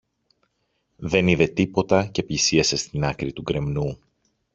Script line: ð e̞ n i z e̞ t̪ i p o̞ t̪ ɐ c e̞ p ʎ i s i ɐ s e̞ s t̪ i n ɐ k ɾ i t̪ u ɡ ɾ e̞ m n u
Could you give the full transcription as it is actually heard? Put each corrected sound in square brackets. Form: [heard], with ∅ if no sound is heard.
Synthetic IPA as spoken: ð e̞ n i [ð] e̞ t̪ i p o̞ t̪ ɐ c e̞ p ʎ i s i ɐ s e̞ s t̪ i n ɐ k ɾ i t̪ u ɡ ɾ e̞ m n u